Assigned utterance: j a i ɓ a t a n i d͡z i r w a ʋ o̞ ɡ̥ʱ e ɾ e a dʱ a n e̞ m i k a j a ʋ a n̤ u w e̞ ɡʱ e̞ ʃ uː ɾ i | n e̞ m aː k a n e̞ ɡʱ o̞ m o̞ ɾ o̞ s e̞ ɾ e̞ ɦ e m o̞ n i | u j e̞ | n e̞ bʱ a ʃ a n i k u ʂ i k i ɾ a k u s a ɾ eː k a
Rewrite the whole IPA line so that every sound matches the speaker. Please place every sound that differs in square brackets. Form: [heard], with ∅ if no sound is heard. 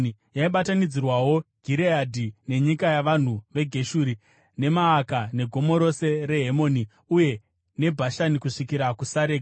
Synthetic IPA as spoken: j a i ɓ a t a n i d͡z i r w a [w] o̞ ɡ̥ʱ [i] ɾ e a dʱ [i] n e̞ [ɲ] i k a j a ʋ a n̤ u [ʋ] e̞ ɡʱ e̞ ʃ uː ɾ i | n e̞ m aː k a n e̞ ɡʱ o̞ m o̞ ɾ o̞ s e̞ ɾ e̞ ɦ e m o̞ n i | u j e̞ | n e̞ bʱ a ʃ a n i k u ʂ i k i ɾ a k u s a ɾ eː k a